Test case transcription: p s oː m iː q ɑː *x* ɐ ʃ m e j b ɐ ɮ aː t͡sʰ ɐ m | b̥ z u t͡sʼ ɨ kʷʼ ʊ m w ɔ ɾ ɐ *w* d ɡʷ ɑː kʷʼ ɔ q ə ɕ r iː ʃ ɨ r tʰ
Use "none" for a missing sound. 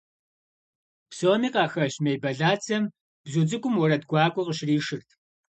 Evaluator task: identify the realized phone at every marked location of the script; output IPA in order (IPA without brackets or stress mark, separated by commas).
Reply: x, none